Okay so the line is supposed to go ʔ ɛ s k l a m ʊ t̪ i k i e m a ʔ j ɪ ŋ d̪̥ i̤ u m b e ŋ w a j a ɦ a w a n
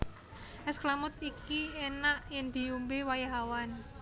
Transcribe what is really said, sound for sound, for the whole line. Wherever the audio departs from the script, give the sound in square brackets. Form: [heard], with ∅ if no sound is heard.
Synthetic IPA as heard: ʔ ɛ s k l a m ʊ t̪ i k i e [n] a ʔ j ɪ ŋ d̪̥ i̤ u m b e [∅] w a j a ɦ a w a n